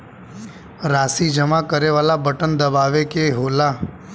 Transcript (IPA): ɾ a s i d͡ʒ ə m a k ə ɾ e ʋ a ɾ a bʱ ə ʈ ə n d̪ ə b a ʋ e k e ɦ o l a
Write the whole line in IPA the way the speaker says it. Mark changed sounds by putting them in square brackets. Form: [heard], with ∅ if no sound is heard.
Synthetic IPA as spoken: ɾ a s i d͡ʒ ə m a k ə ɾ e ʋ a [l] a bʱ ə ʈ ə n d̪ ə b a ʋ e k e ɦ o l a